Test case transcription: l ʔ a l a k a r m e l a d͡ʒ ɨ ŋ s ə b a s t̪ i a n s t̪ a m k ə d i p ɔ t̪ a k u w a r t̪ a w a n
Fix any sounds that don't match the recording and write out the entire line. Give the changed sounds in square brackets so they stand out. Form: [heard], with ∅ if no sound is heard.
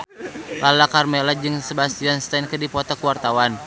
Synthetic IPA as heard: l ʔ a l a k a r m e l a d͡ʒ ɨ ŋ s ə b a s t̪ i a n s t̪ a [n] k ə d i p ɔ t̪ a k u w a r t̪ a w a n